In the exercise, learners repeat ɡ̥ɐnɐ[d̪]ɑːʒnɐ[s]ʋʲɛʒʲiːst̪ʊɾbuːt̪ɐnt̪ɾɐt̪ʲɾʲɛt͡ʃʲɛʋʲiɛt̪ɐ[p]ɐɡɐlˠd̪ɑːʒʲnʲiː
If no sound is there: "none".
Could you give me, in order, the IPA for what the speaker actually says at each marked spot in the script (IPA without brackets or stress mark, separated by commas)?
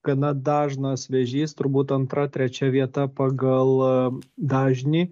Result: d̪, s, p